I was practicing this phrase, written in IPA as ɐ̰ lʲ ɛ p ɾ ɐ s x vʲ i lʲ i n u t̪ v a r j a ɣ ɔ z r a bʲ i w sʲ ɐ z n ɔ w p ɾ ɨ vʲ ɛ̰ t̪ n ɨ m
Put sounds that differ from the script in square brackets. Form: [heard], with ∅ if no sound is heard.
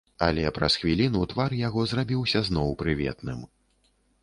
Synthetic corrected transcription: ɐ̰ lʲ ɛ p ɾ ɐ s x vʲ i lʲ i n u t̪ v a r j a ɣ ɔ z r a bʲ i w sʲ ɐ z n ɔ w p ɾ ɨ vʲ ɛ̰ t̪ n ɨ m